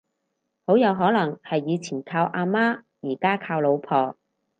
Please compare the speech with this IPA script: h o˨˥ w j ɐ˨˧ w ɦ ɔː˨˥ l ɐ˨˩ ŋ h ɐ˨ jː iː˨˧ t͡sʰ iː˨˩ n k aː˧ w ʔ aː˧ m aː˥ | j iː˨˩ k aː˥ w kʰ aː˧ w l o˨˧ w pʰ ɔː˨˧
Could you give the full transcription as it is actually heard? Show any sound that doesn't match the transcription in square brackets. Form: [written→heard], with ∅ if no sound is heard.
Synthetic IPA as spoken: h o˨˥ w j ɐ˨˧ w ɦ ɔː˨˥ l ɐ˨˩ ŋ h ɐ˨ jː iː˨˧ t͡sʰ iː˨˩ n [k→kʰ] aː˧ w ʔ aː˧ m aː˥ | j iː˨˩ k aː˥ [w→∅] kʰ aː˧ w l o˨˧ w pʰ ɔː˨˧